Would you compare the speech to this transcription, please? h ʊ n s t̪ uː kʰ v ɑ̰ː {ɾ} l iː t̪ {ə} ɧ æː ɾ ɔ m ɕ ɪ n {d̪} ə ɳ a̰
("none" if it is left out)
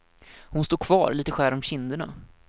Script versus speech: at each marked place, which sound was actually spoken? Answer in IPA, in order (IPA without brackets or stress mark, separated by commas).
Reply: ɾ, ə, d̪